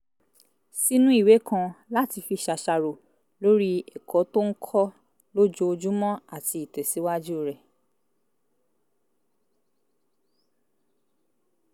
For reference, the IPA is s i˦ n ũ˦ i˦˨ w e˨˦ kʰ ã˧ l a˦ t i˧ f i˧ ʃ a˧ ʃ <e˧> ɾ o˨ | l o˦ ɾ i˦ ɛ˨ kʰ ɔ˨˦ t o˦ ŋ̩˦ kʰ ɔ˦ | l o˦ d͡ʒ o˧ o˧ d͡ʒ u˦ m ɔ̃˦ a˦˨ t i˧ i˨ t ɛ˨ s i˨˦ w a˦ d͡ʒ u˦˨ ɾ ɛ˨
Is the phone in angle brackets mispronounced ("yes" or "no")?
yes